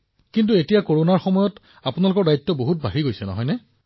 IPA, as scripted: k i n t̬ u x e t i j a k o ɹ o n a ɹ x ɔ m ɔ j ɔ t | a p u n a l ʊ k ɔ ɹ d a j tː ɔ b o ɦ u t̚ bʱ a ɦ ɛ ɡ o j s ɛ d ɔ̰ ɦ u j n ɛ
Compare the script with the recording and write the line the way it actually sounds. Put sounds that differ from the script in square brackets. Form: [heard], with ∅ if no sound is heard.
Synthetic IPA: k i n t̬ u [∅] e t i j a k o ɹ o n a ɹ x ɔ m ɔ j ɔ t | a p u n a l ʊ k ɔ ɹ d a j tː ɔ b o ɦ u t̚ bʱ a ɦ [i] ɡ o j s ɛ [n] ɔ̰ ɦ [ɔ] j n ɛ

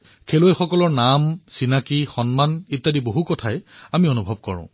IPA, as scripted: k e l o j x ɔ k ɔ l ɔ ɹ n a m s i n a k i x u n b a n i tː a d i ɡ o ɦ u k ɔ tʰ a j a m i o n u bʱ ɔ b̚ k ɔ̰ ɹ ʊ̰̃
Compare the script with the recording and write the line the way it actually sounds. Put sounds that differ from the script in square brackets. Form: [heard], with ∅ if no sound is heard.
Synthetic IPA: [kʰ] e l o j x ɔ k ɔ l ɔ ɹ n a m s i n a k i x [ɔ] n [m] a n i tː a d i [b] o ɦ u k ɔ tʰ a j a m i o n u bʱ ɔ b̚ k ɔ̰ ɹ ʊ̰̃

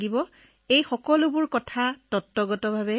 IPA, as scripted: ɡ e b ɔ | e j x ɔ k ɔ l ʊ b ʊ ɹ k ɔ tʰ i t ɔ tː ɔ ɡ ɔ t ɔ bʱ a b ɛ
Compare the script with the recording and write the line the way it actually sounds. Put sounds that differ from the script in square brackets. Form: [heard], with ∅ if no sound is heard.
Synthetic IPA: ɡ [i] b ɔ | e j x ɔ k ɔ l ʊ b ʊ ɹ k ɔ tʰ [a] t ɔ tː ɔ ɡ ɔ t ɔ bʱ a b ɛ

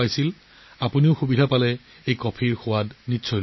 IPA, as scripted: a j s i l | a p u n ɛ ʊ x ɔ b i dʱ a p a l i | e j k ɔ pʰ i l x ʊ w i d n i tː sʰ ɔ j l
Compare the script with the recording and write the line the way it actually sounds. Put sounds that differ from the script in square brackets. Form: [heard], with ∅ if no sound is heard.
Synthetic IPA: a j s i l | a p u n [i] ʊ x [u] b i dʱ a p a l [ɛ] | e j k ɔ pʰ i [ɹ] x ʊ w [a] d n i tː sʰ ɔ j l

